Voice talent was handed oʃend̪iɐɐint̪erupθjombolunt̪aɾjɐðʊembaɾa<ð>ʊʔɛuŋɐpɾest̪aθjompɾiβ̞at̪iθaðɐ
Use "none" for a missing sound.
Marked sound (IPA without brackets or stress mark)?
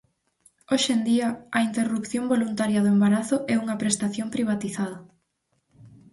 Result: θ